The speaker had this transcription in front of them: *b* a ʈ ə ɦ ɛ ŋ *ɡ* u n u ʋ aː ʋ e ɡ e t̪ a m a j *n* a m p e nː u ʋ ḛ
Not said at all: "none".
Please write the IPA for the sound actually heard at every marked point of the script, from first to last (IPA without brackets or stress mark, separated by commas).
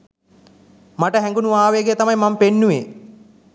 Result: m, ɡ, m